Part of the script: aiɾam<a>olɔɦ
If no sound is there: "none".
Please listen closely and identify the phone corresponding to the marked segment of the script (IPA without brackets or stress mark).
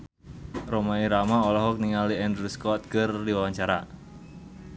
a